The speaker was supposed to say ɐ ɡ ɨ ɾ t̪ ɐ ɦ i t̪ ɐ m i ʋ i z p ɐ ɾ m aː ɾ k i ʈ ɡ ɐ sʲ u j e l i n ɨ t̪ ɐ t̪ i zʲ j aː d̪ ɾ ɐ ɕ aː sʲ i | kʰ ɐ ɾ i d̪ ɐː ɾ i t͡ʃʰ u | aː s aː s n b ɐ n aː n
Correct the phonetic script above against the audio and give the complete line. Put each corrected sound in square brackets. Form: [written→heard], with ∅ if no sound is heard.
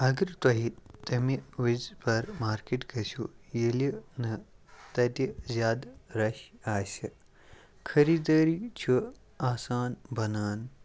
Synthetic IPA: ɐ ɡ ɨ ɾ t̪ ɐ ɦ i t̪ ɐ m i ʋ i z p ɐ ɾ m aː ɾ k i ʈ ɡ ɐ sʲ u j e l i n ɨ t̪ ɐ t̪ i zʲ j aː d̪ ɾ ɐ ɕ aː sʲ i | kʰ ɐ ɾ i d̪ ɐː ɾ i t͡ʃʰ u | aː s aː [s→∅] n b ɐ n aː n

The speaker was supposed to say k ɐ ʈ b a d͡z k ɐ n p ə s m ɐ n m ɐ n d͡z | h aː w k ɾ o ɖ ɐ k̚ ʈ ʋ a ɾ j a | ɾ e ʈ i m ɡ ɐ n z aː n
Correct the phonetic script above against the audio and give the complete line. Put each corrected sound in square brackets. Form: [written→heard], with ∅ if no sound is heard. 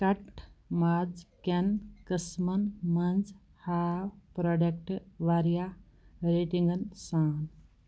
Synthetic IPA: k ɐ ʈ [b→m] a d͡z k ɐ n [p→k] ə s m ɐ n m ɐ n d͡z | h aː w [k→p] ɾ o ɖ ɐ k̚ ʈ ʋ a ɾ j a | ɾ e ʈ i [m→ŋ] ɡ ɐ n [z→s] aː n

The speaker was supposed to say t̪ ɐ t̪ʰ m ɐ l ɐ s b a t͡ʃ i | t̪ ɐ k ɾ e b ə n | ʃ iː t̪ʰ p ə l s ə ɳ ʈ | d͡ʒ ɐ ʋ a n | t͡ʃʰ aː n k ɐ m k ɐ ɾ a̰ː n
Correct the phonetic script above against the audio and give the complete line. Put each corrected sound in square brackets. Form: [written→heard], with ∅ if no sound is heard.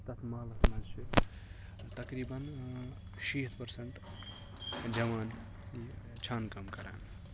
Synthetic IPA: t̪ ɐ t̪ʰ m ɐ l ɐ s [b→m] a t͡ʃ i | t̪ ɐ k ɾ [e→i] b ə n | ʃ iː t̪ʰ p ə [l→ɾ] s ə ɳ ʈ | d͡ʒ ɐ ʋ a n | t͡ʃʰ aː n k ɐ m k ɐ ɾ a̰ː n

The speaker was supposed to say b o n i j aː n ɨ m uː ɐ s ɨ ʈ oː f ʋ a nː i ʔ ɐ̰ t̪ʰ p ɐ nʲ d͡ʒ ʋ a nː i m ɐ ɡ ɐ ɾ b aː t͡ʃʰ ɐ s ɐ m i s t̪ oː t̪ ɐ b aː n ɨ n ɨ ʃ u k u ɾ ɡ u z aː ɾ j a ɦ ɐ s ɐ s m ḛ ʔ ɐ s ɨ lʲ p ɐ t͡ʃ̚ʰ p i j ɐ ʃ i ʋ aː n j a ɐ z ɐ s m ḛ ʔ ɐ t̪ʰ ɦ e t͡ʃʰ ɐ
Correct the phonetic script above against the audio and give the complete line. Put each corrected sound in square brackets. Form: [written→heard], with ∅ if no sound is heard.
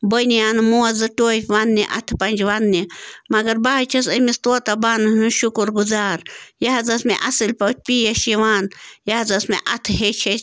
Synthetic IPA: b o n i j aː n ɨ m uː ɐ [s→z] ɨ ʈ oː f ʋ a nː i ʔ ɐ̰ t̪ʰ p ɐ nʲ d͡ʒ ʋ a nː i m ɐ ɡ ɐ ɾ b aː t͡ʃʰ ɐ s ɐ m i s t̪ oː t̪ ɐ b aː n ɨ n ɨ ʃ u k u ɾ ɡ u z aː ɾ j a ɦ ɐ [s→z] ɐ s m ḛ ʔ ɐ s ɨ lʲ p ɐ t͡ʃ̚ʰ p i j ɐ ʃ i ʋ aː n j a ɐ z ɐ s m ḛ ʔ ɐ t̪ʰ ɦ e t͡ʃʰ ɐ

